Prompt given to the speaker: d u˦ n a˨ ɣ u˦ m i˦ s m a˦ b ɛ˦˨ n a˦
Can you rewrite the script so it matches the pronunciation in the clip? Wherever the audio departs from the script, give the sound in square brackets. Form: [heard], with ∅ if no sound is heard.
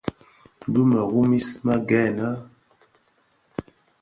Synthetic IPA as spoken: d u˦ [m] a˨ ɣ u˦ m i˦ s m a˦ [ɡ] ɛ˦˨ n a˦